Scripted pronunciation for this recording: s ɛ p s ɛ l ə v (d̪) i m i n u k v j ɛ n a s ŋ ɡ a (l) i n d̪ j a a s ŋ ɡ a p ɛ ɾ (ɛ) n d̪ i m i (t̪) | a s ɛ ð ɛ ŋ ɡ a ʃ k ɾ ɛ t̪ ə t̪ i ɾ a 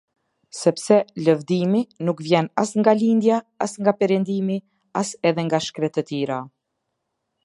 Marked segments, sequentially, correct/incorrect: correct, correct, correct, incorrect

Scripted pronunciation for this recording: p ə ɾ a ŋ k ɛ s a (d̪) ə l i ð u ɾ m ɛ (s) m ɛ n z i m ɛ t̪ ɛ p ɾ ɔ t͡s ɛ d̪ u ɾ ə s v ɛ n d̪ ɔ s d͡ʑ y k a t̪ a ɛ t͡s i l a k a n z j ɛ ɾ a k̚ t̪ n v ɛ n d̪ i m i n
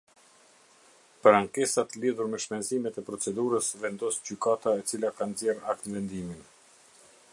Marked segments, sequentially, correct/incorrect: incorrect, incorrect

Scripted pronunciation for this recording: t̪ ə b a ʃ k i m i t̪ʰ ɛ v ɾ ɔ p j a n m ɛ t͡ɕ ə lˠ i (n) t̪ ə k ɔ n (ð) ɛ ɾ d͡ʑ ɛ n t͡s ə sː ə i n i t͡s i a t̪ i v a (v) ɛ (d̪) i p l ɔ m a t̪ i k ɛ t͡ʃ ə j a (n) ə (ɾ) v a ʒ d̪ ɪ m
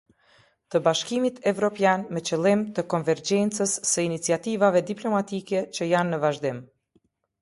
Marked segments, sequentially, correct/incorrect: incorrect, incorrect, correct, correct, incorrect, incorrect

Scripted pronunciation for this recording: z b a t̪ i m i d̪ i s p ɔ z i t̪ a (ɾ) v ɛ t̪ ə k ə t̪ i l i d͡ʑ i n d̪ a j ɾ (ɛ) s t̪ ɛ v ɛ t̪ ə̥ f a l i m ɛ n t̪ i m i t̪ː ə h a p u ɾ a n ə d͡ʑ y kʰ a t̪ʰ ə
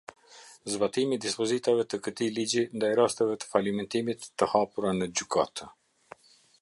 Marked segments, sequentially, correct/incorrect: incorrect, incorrect

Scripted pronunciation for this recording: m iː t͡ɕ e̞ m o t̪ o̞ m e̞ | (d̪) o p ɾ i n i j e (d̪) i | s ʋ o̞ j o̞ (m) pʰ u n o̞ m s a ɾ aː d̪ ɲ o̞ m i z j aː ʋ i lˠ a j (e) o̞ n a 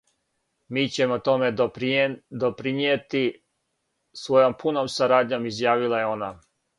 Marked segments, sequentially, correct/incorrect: correct, incorrect, correct, correct

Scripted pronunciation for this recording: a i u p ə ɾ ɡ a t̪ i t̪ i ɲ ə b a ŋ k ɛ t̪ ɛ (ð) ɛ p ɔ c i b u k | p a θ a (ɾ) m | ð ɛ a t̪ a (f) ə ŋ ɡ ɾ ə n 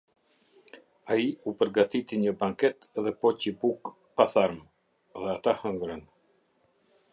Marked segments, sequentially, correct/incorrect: correct, correct, incorrect

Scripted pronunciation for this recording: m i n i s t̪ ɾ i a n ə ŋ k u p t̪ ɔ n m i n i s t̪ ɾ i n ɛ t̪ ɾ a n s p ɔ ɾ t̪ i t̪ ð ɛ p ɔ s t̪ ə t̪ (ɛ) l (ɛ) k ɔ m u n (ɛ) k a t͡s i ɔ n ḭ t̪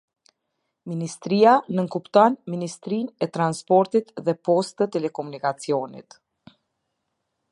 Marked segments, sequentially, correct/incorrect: correct, correct, incorrect

